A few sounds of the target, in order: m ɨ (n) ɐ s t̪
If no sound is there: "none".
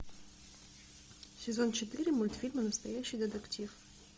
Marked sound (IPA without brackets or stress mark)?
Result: n